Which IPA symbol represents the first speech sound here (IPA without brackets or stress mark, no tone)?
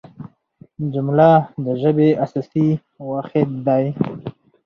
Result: d͡ʒ